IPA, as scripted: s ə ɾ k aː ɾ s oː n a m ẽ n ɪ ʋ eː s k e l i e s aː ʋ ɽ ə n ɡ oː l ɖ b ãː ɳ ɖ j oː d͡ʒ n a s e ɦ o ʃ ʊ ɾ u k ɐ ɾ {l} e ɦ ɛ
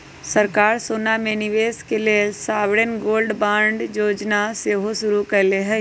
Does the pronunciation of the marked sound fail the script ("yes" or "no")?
no